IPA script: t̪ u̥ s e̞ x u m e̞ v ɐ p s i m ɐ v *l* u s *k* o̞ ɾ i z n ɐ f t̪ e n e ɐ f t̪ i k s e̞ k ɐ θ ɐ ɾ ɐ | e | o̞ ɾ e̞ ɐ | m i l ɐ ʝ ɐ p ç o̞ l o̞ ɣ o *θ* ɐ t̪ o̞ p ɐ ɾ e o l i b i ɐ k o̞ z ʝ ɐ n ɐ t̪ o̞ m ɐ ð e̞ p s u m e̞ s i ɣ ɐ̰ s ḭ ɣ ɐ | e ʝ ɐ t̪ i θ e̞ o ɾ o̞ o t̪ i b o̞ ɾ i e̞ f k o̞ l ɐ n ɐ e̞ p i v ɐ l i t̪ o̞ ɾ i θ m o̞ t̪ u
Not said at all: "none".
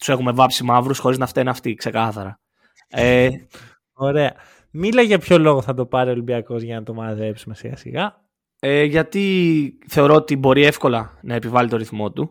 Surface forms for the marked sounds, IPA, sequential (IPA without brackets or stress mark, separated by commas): ɾ, x, θ